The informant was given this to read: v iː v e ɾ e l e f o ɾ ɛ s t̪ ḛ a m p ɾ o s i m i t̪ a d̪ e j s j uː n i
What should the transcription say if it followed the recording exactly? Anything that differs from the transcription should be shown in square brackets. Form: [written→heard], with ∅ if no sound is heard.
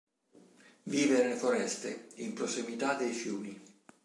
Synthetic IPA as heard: v iː v e ɾ e l e f o ɾ ɛ s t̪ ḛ [a→i] m p ɾ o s i m i t̪ a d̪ e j [s→f] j uː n i

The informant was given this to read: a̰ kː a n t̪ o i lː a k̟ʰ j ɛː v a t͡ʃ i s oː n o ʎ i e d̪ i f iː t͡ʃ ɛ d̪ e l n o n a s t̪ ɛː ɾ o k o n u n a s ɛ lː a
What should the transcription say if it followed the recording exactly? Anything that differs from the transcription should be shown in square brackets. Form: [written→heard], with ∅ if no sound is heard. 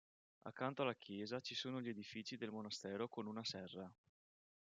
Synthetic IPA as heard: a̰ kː a n t̪ o [i→a] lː a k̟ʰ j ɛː [v→z] a t͡ʃ i s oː n o ʎ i e d̪ i f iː t͡ʃ [ɛ→i] d̪ e l [n→m] o n a s t̪ ɛː ɾ o k o n u n a s ɛ [lː→rː] a

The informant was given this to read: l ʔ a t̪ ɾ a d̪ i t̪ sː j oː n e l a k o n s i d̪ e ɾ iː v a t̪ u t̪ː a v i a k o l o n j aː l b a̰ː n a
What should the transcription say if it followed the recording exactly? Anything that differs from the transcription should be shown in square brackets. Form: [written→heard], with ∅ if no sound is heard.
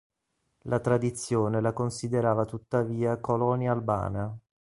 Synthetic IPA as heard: l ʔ a t̪ ɾ a d̪ i t̪ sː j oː n e l a k o n s i d̪ e ɾ [iː→aː] v a t̪ u t̪ː a v [i→iː] a k o l [o→ɔ] n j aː l b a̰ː n a

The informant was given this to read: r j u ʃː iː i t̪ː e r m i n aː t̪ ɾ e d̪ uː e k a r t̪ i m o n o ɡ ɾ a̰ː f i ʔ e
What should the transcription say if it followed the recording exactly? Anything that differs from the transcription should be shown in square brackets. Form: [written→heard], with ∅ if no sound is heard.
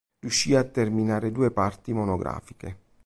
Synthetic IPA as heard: r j u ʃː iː [i→a] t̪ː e r m i n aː [t̪→∅] ɾ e d̪ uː e [k→p] a r t̪ i m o n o ɡ ɾ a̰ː f i [ʔ→k] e

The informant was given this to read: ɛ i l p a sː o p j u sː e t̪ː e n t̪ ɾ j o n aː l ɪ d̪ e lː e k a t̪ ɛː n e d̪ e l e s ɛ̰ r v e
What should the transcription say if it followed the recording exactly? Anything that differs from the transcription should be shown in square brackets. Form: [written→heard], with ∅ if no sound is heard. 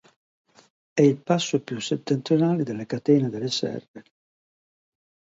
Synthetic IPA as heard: ɛ i l p a sː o p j u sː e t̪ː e n t̪ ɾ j o n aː l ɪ d̪ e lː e k a t̪ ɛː n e d̪ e l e s ɛ̰ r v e

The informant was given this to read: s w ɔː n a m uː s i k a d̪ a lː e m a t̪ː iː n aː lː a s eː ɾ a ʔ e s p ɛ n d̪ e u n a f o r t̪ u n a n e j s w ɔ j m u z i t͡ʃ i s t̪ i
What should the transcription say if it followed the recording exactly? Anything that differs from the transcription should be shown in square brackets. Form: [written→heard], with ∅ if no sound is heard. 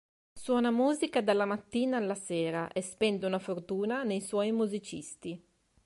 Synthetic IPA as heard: s w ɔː n a m uː [s→z] i k a d̪ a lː [e→a] m a t̪ː iː n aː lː a s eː ɾ a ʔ e s p ɛ n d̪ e u n a f o r t̪ [u→uː] n a n e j s w ɔ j m u z i t͡ʃ i s t̪ i

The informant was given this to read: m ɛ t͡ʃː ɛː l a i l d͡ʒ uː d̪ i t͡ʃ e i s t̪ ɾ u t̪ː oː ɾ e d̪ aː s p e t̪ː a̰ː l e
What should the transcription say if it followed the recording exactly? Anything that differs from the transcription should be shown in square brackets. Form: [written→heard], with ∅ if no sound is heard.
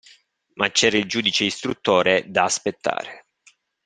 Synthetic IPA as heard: m [ɛ→a] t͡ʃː ɛː [l→ɾ] a i l d͡ʒ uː d̪ i t͡ʃ e i s t̪ ɾ u t̪ː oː ɾ e d̪ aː s p e t̪ː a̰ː [l→ɾ] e

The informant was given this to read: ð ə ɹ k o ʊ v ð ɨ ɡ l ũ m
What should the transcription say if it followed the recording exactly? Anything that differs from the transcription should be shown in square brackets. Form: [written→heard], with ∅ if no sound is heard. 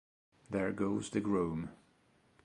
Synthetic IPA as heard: ð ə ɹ [k→ɡ] o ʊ [v→z] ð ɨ ɡ [l→ɹ] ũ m

